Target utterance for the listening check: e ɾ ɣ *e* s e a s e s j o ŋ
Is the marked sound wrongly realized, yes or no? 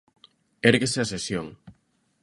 no